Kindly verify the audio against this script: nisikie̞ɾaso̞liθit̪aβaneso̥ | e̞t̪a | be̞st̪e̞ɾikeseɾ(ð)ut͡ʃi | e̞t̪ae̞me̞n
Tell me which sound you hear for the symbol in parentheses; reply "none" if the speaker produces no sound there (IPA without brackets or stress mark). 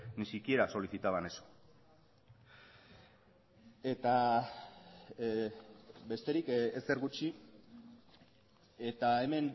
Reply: ɣ